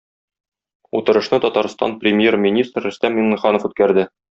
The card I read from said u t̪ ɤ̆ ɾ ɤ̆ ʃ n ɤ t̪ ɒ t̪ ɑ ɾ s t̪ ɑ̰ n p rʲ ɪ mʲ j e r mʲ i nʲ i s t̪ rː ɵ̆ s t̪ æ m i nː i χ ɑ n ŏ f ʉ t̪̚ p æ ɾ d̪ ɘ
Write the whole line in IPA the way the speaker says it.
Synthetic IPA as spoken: u t̪ ɤ̆ ɾ ɤ̆ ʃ n ɤ t̪ ɒ t̪ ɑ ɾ s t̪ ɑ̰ n p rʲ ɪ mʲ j e r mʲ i nʲ i s t̪ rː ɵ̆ s t̪ æ m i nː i χ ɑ n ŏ f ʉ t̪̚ k æ ɾ d̪ ɘ